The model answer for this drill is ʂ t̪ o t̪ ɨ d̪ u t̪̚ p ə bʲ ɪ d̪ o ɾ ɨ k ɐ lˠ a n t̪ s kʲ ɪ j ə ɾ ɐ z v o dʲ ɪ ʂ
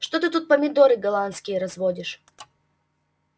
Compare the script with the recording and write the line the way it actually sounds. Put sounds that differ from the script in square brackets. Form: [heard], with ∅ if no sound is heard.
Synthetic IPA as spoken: ʂ t̪ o t̪ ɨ [t̪] u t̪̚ p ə [mʲ] ɪ d̪ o ɾ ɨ [ɡ] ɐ lˠ a n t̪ s kʲ ɪ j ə ɾ ɐ z v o dʲ ɪ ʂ